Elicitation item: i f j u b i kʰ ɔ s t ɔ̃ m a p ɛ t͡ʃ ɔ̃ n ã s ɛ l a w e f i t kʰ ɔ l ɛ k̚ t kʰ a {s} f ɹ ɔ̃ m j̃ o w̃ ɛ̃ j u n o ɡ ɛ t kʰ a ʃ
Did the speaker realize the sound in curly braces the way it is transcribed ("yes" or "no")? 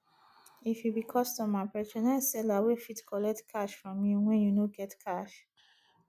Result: no